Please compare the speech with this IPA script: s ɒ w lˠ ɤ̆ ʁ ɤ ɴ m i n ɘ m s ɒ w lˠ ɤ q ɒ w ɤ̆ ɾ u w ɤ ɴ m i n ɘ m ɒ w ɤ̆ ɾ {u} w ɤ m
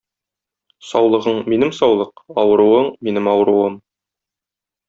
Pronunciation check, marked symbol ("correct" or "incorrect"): correct